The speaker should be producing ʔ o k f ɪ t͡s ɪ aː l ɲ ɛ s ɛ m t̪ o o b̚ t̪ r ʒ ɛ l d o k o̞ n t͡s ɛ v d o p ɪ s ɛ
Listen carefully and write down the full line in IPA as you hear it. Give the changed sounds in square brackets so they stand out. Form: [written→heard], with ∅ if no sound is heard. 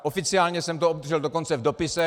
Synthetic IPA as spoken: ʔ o [k→∅] f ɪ t͡s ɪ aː l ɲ ɛ s ɛ m t̪ o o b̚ [t̪→d̪] r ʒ ɛ l d o k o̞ n t͡s ɛ v d o p ɪ s ɛ